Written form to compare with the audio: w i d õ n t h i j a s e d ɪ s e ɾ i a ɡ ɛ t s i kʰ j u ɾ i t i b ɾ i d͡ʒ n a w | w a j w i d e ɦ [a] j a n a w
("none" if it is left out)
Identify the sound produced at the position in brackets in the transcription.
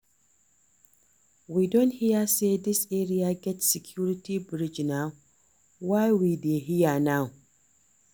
i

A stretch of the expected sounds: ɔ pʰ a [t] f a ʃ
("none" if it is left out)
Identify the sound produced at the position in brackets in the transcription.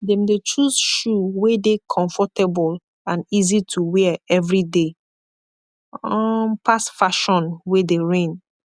s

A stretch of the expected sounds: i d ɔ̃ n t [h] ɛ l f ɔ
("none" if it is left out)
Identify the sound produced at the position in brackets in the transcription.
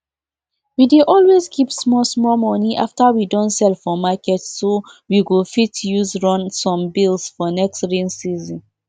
s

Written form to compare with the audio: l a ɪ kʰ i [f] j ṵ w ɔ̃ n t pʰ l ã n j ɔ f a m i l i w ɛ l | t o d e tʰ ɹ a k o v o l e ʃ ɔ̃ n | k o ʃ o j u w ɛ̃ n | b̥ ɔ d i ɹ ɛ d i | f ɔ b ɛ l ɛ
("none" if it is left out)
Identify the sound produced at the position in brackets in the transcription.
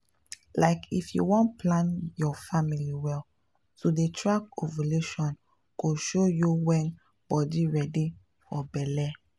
f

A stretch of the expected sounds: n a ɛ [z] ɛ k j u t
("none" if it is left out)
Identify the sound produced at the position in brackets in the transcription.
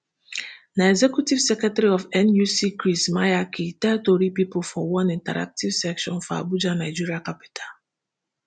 z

